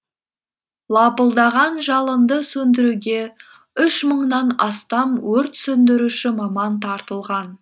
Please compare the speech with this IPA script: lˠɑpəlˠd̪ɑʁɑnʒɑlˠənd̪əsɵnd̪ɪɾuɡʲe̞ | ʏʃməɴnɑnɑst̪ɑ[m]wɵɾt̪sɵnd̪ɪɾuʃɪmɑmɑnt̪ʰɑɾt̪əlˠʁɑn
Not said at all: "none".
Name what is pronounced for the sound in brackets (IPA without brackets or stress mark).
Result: m